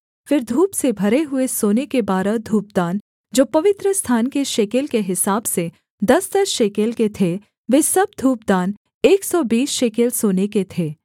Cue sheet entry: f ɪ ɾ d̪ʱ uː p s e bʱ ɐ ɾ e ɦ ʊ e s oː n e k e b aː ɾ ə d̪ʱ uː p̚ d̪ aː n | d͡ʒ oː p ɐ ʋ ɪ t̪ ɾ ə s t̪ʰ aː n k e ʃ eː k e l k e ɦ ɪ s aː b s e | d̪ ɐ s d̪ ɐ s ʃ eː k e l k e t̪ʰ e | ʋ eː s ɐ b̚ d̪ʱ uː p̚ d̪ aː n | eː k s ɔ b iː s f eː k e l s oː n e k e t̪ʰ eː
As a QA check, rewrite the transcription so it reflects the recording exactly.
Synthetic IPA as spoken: f ɪ ɾ d̪ʱ uː p s e bʱ ɐ ɾ e ɦ ʊ e s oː n e k e b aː ɾ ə d̪ʱ uː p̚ d̪ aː n | d͡ʒ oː p ɐ ʋ ɪ t̪ ɾ ə s t̪ʰ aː n k e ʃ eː k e l k e ɦ ɪ s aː b s e | d̪ ɐ s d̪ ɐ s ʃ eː k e l k e t̪ʰ e | ʋ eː s ɐ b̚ d̪ʱ uː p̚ d̪ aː n | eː k s ɔ b iː s ʃ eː k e l s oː n e k e t̪ʰ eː